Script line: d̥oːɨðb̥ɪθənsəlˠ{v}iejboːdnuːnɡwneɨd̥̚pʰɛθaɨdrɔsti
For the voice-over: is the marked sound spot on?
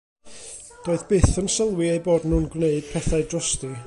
no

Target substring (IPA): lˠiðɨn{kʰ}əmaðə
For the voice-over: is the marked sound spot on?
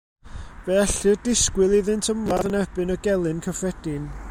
no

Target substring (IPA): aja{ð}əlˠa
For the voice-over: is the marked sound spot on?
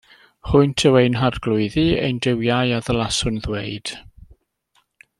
yes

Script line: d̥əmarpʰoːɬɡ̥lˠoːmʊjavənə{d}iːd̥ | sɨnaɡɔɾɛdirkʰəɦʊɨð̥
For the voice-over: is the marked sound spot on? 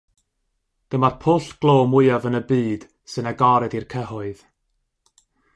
no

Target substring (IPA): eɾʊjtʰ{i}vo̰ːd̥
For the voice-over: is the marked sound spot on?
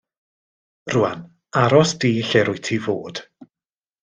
yes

